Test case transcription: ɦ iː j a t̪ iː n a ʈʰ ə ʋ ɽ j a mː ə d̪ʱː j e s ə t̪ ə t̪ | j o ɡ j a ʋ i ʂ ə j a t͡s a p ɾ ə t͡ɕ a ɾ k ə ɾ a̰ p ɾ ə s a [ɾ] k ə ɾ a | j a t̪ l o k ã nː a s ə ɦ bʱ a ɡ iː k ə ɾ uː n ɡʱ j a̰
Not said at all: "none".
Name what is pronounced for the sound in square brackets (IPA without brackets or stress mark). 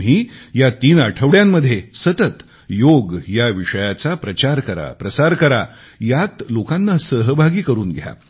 ɾ